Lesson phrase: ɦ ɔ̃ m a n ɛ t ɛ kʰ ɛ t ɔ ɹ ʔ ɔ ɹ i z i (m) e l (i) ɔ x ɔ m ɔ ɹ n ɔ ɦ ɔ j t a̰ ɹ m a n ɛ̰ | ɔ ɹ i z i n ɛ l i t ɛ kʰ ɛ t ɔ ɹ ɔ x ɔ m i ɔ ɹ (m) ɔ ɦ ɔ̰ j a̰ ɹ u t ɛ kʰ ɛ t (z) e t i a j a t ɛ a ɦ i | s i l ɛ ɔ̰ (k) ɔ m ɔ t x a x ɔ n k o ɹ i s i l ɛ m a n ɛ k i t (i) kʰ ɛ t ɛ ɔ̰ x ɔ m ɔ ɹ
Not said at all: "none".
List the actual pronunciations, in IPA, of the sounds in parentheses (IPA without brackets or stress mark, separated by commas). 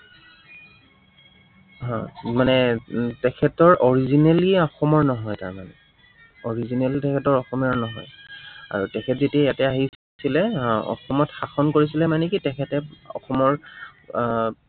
n, i, n, z, x, ɛ